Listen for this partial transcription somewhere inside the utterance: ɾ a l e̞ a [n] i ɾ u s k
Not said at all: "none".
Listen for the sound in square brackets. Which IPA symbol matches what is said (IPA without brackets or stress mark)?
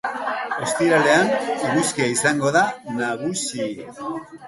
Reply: n